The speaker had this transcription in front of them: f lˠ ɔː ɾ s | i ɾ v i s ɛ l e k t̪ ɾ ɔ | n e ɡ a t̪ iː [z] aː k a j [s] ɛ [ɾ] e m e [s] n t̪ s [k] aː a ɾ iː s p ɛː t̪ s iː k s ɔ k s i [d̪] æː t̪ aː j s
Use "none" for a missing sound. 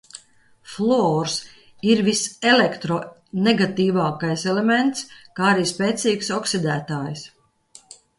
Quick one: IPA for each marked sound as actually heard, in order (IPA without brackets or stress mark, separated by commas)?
v, s, l, none, k, d̪